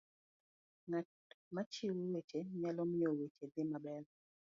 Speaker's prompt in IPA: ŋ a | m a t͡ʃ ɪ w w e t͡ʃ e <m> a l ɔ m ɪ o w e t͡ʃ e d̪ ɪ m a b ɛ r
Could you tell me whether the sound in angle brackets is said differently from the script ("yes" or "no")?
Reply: yes